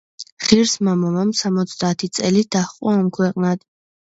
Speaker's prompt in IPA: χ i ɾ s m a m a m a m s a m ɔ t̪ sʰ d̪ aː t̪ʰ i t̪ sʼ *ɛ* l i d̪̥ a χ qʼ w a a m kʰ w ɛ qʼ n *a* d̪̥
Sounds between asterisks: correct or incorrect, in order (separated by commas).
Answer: correct, correct